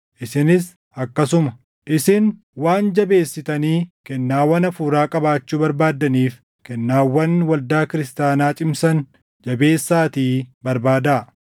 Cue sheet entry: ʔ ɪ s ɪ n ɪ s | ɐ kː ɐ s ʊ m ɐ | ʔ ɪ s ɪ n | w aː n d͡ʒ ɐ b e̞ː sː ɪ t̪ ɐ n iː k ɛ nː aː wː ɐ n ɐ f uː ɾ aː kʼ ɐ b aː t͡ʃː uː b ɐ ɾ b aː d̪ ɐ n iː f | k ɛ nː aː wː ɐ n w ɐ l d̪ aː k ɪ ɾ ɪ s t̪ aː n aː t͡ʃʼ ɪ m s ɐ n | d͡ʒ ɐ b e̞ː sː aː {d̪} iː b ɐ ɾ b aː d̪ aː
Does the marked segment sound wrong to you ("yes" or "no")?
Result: yes